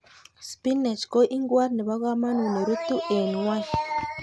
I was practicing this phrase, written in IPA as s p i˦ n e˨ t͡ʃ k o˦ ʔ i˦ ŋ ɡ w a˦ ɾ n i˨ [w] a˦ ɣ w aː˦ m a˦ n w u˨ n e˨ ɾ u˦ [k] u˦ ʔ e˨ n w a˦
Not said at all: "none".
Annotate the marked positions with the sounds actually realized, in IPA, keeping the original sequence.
β, t

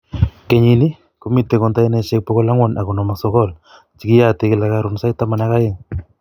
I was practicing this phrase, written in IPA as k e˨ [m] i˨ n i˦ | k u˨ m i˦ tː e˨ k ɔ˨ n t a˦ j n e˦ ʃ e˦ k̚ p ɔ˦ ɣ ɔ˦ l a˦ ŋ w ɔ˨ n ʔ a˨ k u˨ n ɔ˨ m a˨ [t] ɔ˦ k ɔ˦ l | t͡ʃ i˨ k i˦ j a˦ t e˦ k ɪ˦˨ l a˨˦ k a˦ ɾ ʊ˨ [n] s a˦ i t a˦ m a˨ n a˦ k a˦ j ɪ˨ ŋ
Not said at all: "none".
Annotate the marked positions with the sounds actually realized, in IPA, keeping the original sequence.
ɲ, s, n

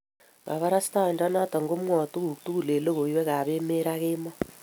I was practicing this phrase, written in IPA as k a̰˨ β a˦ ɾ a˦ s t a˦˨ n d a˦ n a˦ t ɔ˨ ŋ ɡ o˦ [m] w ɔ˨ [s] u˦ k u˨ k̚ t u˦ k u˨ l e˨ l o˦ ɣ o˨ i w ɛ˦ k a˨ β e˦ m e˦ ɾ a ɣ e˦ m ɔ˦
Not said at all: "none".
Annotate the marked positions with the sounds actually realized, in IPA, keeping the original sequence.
m, t

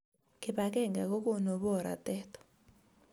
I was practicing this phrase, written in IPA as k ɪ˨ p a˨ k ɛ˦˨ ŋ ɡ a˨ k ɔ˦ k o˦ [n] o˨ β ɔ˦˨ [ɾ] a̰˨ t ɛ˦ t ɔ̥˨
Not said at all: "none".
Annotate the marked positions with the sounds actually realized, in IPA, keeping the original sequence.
n, ɾ

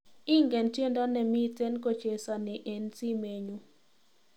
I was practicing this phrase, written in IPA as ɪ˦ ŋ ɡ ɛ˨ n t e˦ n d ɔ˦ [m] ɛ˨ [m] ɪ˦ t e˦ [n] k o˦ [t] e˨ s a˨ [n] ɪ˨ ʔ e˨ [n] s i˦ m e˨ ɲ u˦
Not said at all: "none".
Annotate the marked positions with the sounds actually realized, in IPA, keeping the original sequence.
n, m, n, t͡ʃ, n, n

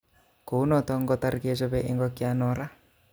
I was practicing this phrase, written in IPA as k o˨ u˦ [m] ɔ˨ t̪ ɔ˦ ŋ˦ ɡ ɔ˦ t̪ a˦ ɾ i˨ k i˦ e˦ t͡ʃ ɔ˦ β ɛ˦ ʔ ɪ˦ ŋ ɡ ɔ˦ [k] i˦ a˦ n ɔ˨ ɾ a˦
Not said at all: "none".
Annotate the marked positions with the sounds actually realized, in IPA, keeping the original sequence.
n, k

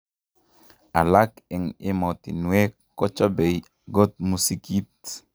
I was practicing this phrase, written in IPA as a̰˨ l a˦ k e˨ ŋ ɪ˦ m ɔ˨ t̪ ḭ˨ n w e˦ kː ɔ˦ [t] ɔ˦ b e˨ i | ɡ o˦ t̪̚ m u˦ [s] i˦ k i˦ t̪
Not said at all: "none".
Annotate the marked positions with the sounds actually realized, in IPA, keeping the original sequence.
t͡ʃ, s

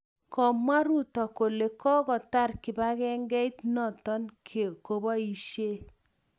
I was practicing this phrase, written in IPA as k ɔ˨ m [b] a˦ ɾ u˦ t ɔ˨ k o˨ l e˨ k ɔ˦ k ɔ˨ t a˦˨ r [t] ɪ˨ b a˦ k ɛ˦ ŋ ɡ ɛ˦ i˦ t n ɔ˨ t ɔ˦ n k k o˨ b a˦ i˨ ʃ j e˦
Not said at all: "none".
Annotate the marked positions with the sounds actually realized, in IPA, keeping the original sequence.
w, k

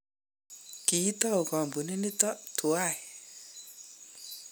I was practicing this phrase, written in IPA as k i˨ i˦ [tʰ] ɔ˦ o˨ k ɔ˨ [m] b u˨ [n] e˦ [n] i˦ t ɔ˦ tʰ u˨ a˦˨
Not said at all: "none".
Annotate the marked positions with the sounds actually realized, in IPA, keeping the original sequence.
t, m, n, n

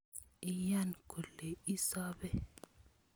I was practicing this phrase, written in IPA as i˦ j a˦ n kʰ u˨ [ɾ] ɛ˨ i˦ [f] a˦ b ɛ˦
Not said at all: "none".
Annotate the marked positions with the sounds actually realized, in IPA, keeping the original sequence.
l, s

